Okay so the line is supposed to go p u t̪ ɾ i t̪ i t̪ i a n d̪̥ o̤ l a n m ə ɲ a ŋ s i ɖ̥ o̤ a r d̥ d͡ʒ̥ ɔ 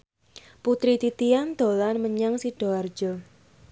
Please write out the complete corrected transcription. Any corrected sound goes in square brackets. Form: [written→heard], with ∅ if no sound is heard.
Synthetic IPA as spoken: p u t̪ ɾ i t̪ i t̪ i a n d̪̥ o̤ l a n m ə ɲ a ŋ s i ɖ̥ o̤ a r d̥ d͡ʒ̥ ɔ